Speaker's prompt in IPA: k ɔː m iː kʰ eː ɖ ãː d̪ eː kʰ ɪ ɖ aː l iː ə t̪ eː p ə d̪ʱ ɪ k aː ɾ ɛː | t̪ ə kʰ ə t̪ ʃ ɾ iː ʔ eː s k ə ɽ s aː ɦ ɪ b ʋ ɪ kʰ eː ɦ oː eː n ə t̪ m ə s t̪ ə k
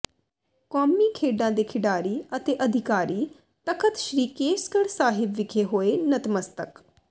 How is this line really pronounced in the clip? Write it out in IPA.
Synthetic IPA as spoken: k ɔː m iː kʰ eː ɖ ãː d̪ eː kʰ ɪ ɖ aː ɾ iː ə t̪ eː ʔ ə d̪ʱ ɪ k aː ɾ iː | t̪ ə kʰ ə t̪ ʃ ɾ iː k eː s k ə ɽ s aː ɦ ɪ b ʋ ɪ kʰ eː ɦ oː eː n ə t̪ m ə s t̪ ə k